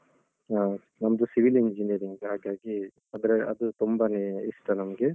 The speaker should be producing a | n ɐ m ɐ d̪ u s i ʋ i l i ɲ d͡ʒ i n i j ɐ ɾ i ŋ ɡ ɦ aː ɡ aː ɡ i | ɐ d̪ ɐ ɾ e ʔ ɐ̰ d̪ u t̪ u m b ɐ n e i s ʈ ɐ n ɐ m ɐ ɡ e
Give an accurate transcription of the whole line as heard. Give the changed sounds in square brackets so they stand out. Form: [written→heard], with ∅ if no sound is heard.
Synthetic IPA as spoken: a | n ɐ m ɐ d̪ u s i ʋ i l i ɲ d͡ʒ i n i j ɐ ɾ i ŋ ɡ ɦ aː ɡ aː ɡ i | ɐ d̪ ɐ ɾ e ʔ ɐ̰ d̪ u t̪ u m b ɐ n e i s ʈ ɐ n ɐ m ɐ ɡ e